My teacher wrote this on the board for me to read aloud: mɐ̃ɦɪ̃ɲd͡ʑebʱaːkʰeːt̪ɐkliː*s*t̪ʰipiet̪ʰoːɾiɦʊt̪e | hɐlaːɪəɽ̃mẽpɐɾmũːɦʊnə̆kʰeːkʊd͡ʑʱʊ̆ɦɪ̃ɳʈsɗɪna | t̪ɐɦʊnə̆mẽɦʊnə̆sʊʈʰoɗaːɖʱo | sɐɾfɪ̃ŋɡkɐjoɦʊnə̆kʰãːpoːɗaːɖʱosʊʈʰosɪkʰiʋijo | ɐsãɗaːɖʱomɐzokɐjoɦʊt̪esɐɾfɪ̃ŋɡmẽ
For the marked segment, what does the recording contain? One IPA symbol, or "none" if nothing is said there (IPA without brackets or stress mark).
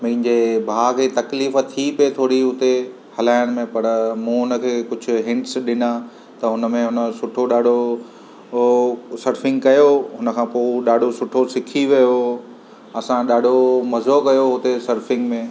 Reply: f